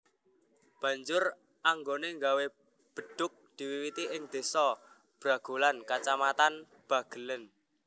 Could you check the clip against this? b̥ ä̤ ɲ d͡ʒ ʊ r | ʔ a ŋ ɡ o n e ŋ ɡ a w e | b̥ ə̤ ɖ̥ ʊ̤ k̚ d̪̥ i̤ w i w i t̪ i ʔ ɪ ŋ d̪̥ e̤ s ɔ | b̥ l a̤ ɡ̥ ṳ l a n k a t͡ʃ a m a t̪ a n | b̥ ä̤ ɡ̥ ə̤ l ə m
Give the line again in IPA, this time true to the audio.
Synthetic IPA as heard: b̥ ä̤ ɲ d͡ʒ ʊ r | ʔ a ŋ ɡ o n e ŋ ɡ a w e | b̥ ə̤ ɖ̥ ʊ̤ k̚ d̪̥ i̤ w i w i t̪ i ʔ ɪ ŋ d̪̥ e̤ s ɔ | b̥ ɾ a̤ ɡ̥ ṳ l a n k a t͡ʃ a m a t̪ a n | b̥ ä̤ ɡ̥ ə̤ l ə n